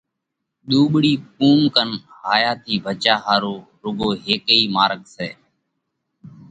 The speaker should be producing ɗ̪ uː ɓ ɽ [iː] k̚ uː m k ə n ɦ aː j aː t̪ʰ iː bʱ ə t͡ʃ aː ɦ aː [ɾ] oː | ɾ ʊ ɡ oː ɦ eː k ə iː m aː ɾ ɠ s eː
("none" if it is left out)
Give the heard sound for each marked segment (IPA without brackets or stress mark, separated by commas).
iː, ɾ